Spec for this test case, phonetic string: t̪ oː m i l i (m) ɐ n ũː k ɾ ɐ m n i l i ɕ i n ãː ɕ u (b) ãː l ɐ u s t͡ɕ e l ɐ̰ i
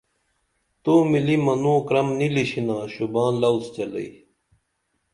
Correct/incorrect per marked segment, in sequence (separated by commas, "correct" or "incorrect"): correct, correct